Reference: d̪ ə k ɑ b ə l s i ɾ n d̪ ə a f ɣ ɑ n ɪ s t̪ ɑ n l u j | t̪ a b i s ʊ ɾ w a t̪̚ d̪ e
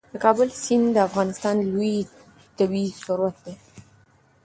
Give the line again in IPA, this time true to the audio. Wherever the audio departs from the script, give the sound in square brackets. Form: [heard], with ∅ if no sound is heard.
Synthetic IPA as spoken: d̪ ə k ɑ b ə l s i [∅] n d̪ ə a f ɣ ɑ n ɪ s t̪ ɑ n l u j | t̪ a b i s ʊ ɾ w a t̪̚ d̪ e